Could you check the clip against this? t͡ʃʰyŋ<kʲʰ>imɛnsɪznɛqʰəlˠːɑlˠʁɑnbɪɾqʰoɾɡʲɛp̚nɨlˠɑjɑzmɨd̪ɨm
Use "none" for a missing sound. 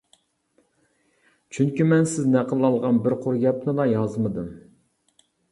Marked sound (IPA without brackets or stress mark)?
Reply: kʲ